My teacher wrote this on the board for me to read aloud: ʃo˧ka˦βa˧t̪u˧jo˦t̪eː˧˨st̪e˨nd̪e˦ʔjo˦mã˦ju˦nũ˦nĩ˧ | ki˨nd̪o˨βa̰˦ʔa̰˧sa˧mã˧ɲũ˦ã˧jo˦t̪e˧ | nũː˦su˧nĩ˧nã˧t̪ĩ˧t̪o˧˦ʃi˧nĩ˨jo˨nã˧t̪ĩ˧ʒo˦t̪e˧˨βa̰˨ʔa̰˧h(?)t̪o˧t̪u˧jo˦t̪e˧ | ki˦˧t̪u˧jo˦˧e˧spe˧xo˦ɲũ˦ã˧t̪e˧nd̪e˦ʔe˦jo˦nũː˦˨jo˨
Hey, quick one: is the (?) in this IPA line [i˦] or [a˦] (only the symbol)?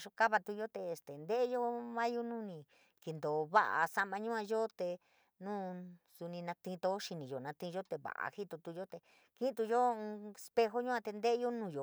i˦